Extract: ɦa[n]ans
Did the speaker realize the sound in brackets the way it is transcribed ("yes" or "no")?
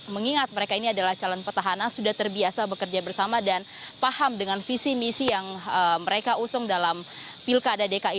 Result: yes